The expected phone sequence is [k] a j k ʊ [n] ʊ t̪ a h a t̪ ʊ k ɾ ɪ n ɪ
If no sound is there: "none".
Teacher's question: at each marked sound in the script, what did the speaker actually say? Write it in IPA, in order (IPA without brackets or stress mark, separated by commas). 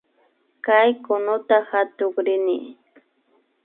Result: k, n